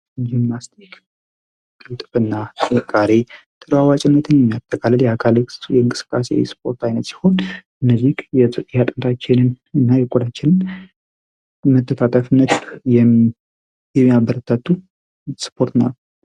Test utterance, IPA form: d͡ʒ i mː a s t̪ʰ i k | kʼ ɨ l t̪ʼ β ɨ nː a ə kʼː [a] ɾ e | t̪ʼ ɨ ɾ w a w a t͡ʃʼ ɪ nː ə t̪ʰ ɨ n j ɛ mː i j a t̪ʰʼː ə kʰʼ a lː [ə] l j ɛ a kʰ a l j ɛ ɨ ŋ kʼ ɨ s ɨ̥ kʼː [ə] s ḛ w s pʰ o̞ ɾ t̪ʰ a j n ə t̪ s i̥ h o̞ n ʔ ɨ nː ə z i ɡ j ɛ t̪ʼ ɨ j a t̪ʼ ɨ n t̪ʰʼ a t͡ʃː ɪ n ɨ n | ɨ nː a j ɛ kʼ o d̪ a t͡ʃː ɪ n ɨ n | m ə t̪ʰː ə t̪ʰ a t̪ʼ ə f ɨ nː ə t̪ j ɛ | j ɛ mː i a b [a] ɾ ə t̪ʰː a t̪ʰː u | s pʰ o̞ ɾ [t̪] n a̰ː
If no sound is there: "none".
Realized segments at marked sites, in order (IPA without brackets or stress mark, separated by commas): a, ə, a, ə, t̪